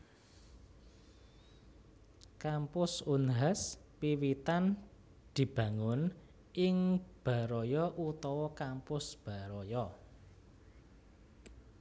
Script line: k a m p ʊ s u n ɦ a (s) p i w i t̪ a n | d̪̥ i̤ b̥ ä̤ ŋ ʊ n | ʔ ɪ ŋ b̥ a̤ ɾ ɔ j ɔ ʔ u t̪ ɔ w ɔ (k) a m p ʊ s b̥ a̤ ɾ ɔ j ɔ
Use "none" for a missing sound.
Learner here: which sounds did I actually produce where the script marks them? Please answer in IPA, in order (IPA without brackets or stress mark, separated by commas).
s, k